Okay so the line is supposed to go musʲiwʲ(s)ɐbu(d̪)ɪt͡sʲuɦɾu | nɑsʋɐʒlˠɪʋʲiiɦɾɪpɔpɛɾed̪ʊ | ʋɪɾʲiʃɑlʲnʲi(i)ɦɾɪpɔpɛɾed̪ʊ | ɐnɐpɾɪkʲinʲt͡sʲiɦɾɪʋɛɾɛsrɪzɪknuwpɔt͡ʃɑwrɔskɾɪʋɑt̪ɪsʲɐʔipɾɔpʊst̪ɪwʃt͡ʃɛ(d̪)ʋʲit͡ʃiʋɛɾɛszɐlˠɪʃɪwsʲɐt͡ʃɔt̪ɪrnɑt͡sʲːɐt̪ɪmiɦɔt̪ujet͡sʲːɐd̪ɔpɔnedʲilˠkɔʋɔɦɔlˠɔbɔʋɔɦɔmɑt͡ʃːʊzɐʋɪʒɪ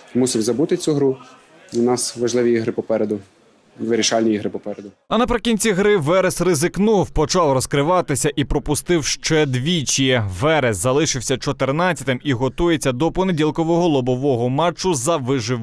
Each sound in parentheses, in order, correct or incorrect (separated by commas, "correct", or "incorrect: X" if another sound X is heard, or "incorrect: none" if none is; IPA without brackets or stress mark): incorrect: z, incorrect: t̪, correct, correct